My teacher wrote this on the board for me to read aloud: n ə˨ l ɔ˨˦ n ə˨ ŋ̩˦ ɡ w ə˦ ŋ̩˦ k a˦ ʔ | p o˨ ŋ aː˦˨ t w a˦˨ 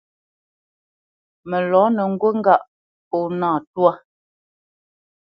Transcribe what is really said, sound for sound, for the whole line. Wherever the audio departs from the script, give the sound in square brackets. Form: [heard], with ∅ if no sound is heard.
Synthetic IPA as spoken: [m] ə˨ l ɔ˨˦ n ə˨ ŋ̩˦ ɡ w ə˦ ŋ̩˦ [ɡ] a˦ ʔ | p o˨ [n] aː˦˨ t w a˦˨